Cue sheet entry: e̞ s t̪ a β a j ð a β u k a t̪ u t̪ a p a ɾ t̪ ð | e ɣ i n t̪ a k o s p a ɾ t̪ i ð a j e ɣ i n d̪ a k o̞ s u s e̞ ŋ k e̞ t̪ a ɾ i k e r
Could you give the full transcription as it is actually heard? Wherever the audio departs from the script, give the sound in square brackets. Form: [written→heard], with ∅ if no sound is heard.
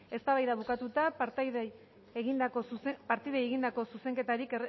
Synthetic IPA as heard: e̞ s t̪ a β a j ð a β u k a t̪ u t̪ a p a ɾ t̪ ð | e ɣ i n [t̪→d̪] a k o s p a ɾ t̪ i ð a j e ɣ i n d̪ a k o̞ s u s e̞ ŋ k e̞ t̪ a ɾ i k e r